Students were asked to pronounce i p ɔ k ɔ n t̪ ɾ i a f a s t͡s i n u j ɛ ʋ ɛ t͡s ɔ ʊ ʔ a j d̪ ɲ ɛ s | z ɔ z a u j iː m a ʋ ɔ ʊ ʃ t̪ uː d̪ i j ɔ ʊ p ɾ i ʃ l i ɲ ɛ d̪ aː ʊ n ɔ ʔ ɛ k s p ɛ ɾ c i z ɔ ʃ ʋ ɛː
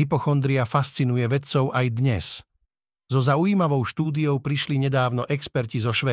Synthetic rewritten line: i p ɔ x ɔ n d̪ ɾ i a f a s t͡s i n u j ɛ ʋ ɛ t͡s ɔ ʊ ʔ a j d̪ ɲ ɛ s | z ɔ z a u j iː m a ʋ ɔ ʊ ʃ t̪ uː d̪ i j ɔ ʊ p ɾ i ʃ l i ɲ ɛ d̪ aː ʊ n ɔ ʔ ɛ k s p ɛ ɾ c i z ɔ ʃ ʋ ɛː